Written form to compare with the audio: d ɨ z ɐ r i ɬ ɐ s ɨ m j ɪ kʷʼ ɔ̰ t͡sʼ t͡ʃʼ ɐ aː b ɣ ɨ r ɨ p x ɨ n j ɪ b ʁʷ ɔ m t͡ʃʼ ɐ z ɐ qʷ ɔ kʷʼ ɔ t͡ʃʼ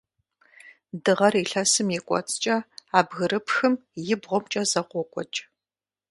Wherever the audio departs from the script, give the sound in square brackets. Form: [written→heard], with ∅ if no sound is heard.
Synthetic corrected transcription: d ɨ [z→ʁ] ɐ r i ɬ ɐ s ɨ m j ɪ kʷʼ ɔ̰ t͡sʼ t͡ʃʼ ɐ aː b ɣ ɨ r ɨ p x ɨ [n→m] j ɪ b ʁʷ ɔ m t͡ʃʼ ɐ z ɐ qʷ ɔ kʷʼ ɔ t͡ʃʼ